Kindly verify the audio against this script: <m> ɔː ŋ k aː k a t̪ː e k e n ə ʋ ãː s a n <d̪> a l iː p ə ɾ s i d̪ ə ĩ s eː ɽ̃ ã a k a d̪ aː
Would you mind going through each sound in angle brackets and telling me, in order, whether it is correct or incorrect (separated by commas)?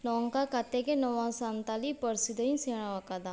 incorrect, incorrect